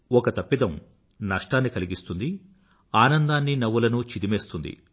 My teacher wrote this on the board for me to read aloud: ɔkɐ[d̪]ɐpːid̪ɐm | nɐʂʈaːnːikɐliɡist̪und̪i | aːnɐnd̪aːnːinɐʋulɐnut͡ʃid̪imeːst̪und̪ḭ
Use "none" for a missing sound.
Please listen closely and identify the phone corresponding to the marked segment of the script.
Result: t̪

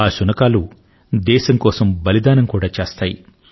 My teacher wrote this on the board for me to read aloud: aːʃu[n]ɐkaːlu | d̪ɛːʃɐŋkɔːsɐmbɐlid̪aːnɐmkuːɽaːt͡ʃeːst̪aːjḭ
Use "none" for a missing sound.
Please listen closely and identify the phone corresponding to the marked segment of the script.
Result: n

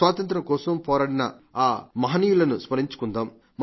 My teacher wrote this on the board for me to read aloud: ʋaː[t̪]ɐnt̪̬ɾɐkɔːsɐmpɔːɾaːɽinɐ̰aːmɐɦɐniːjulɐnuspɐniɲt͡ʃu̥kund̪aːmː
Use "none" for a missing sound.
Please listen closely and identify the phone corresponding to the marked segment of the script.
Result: t̪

